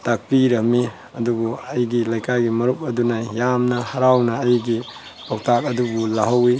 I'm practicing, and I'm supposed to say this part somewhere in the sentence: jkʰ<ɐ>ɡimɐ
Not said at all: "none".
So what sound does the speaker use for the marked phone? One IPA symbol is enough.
a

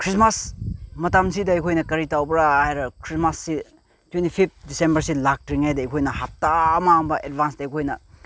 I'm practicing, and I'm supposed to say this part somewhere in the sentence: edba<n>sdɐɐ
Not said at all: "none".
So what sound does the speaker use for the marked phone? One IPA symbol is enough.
n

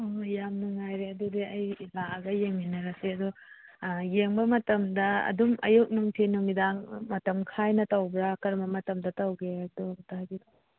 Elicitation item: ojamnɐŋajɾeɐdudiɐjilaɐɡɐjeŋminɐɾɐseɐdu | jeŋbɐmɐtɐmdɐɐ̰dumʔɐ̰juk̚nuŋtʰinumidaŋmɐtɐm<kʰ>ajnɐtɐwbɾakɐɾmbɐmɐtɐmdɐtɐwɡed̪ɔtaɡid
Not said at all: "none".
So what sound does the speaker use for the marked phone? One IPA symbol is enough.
kʰ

